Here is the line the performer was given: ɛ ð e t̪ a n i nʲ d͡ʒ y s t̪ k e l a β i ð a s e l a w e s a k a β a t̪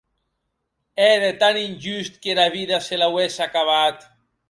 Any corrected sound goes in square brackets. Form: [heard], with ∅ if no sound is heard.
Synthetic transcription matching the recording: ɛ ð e t̪ a n i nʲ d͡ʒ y s t̪ k e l a β i ð a s e l a w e s a k a β a t̪